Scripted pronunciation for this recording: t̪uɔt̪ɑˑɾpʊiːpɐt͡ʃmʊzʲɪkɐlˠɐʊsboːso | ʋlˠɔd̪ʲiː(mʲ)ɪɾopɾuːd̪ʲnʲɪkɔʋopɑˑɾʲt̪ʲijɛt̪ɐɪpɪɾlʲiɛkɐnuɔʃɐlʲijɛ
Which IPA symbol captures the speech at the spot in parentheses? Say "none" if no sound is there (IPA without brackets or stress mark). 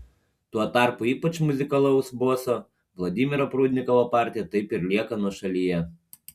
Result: mʲ